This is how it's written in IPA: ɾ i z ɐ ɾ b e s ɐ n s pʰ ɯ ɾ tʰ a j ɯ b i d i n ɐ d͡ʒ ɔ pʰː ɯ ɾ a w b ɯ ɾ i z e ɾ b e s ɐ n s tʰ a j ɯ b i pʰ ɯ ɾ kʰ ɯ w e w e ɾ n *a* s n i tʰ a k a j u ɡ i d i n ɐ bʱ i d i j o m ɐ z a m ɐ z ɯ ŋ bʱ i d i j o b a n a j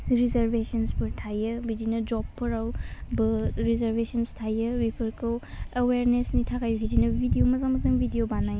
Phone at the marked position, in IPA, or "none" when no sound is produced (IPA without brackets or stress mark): e